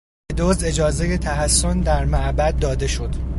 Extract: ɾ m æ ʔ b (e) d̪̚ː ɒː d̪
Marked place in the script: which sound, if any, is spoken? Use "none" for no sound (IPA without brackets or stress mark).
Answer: æ